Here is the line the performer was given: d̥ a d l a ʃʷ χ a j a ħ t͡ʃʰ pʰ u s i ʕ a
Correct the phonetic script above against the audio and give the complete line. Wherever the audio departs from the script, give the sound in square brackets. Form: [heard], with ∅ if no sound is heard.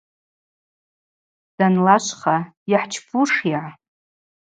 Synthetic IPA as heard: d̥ a [n] l a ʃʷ χ a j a ħ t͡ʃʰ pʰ u [ʂ] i ʕ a